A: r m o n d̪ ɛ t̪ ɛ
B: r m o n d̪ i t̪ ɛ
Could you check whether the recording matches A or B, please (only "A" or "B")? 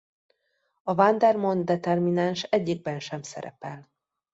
A